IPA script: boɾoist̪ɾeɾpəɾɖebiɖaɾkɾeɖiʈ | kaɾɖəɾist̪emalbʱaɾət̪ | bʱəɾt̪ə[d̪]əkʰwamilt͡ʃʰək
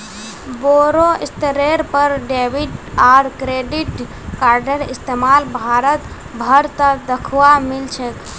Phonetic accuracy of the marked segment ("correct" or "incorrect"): correct